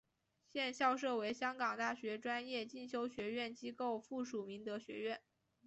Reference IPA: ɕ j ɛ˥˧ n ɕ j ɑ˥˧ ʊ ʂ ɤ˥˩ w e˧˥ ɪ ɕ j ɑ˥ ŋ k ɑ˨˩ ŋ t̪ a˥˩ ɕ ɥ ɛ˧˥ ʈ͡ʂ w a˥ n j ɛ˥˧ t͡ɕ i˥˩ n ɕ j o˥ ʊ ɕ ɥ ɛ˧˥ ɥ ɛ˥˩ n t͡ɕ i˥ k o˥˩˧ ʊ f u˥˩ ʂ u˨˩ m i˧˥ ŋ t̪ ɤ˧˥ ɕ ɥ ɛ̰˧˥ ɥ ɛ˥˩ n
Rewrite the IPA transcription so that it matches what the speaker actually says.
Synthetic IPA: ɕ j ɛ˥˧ n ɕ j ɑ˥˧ ʊ ʂ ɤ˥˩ w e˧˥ ɪ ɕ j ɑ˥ ŋ k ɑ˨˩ ŋ t̪ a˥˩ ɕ ɥ ɛ˧˥ ʈ͡ʂ w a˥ n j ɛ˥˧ t͡ɕ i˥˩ n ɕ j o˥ ʊ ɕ ɥ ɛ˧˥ ɥ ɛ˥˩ n t͡ɕ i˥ k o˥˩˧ ʊ f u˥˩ ʂ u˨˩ m i˧˥ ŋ t̪ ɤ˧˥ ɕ ɥ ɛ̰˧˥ ɥ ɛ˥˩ n